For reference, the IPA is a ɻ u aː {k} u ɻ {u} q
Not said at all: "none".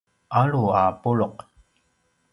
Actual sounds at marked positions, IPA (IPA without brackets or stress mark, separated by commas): p, o